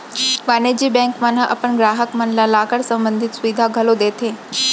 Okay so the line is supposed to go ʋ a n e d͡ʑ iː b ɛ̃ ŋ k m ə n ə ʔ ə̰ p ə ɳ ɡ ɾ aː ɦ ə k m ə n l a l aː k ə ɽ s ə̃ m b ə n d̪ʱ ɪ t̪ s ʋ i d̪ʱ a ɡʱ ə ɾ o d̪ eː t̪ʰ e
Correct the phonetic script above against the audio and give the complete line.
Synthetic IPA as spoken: ʋ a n e d͡ʑ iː b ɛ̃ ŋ k m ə n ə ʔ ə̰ p ə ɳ ɡ ɾ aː ɦ ə k m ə n l a l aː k ə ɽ s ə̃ m b ə n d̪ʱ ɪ t̪ s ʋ i d̪ʱ a ɡʱ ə l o d̪ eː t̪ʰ e